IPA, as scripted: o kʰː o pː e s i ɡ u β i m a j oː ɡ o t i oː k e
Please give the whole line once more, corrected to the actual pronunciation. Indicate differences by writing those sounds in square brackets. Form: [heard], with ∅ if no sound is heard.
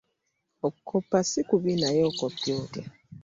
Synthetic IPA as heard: o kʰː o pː [a] s i [k] u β i [n] a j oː [k] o [p] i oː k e